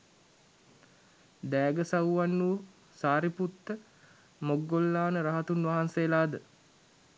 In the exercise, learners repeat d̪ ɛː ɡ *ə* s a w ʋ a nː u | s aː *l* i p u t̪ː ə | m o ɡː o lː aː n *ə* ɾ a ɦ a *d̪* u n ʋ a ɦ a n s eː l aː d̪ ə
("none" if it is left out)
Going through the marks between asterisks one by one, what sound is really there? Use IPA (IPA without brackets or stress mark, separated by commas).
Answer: ə, ɾ, ə, t̪